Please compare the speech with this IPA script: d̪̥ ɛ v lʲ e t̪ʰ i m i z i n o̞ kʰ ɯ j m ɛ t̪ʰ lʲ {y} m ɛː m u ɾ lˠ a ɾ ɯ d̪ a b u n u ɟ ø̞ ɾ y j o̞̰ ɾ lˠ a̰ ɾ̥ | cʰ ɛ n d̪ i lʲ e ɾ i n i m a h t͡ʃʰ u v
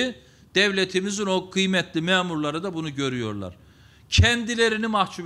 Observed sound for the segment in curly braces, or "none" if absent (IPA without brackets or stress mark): i